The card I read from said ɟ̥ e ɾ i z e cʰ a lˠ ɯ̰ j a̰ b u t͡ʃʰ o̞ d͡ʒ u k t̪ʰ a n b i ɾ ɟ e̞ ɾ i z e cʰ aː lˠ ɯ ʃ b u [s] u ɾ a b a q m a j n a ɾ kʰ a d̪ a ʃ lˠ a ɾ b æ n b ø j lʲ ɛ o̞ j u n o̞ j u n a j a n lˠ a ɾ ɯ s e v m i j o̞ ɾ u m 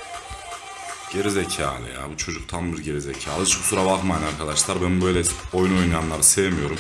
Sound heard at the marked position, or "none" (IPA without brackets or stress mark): s